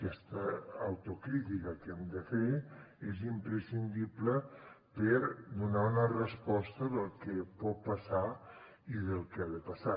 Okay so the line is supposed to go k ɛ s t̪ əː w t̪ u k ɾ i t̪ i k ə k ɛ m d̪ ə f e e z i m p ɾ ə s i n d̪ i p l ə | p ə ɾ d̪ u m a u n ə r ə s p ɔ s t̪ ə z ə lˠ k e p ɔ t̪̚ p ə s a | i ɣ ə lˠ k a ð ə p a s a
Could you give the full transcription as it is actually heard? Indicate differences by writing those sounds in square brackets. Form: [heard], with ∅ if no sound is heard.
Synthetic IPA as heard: k ɛ s t̪ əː w t̪ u k ɾ i t̪ i k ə k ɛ m d̪ ə f e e z i m p ɾ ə s i n d̪ i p l ə | p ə ɾ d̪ u [n] a u n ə r ə s p ɔ s t̪ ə [ð] ə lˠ k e p ɔ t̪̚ p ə s a | i [ð] ə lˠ k a ð ə p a s a